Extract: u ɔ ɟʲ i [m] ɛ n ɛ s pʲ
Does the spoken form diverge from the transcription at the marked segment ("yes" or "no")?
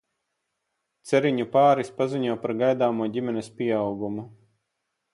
no